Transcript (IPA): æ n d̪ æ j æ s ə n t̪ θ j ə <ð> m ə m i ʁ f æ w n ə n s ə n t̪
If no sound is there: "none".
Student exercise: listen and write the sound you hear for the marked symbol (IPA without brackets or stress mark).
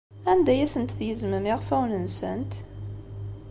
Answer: z